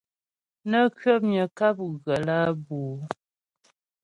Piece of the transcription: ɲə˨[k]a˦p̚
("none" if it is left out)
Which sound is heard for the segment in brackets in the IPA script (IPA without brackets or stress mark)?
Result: k